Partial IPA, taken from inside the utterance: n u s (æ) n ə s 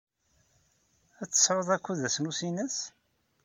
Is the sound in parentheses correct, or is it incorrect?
incorrect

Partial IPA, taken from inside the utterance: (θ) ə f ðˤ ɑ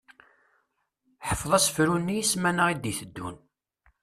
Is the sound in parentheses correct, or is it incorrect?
incorrect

